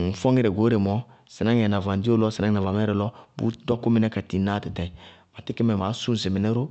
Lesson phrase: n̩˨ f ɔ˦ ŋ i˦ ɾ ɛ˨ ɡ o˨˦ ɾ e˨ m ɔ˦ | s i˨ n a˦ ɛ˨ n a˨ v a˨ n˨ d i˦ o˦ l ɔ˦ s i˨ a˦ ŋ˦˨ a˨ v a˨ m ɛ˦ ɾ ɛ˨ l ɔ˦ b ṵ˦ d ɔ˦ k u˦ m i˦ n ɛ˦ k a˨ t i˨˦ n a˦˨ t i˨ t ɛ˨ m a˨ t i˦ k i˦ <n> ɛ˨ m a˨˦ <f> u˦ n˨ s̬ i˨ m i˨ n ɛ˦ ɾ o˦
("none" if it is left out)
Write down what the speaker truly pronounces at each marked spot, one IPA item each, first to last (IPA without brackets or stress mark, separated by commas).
m, s